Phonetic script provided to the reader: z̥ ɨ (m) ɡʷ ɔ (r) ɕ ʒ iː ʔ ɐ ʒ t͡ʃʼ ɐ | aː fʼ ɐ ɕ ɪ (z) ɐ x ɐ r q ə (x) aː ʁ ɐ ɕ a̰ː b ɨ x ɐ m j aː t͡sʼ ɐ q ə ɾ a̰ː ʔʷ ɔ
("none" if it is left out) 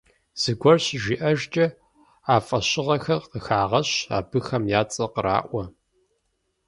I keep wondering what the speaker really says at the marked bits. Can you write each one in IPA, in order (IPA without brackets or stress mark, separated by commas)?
none, r, ʁ, x